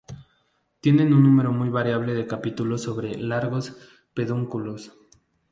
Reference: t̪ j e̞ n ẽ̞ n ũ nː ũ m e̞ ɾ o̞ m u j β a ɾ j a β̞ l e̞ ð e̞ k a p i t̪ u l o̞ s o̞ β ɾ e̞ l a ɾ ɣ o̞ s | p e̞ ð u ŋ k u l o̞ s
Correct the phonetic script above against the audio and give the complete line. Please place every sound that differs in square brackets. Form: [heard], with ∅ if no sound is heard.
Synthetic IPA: t̪ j e̞ n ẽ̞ n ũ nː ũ m e̞ ɾ o̞ m u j β a ɾ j a β̞ l e̞ ð e̞ k a p i t̪ u l o̞ s o̞ β ɾ e̞ l a ɾ ɣ o̞ s | p e̞ ð u ŋ k u l o̞ s